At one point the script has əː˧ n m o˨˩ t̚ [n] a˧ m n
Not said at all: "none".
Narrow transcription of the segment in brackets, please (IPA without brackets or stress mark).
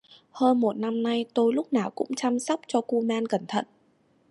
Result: n